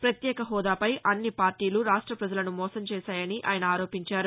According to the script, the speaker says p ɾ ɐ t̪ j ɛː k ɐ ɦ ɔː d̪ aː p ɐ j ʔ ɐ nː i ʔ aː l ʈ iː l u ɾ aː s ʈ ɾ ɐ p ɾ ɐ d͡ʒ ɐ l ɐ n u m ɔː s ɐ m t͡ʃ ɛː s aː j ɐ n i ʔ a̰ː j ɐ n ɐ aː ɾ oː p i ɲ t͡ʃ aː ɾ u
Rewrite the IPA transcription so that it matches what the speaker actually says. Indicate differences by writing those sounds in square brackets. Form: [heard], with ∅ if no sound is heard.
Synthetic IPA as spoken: p ɾ ɐ t̪ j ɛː k ɐ ɦ ɔː d̪ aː p ɐ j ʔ ɐ nː i [p] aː [ɾ] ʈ iː l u ɾ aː [ʂ] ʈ ɾ ɐ p ɾ ɐ d͡ʒ ɐ l ɐ n u m ɔː s ɐ m t͡ʃ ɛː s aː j ɐ n i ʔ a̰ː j ɐ n ɐ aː ɾ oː p i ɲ t͡ʃ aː ɾ u